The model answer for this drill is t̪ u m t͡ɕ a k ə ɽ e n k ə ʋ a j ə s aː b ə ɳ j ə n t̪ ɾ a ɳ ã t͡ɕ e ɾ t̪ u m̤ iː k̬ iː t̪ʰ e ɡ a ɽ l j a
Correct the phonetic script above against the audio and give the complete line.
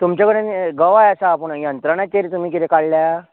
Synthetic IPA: t̪ u m t͡ɕ a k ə ɽ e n ɡ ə ʋ a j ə s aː p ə ɳ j ə n t̪ ɾ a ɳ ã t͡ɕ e ɾ t̪ u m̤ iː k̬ i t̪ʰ e k a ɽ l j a